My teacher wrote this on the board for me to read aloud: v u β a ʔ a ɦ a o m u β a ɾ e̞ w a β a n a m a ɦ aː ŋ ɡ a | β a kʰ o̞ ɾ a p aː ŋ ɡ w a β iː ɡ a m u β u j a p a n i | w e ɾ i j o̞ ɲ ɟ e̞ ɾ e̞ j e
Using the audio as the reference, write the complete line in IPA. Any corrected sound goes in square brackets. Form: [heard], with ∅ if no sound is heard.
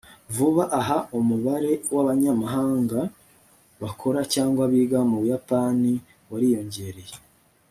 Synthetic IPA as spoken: v u β a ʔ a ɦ a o m u β a ɾ e̞ w a β a [ɲ] a m a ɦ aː ŋ ɡ a | β a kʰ o̞ ɾ a [c] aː ŋ ɡ w a β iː ɡ a m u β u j a p a n i | w [a] ɾ i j o̞ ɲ ɟ e̞ ɾ e̞ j e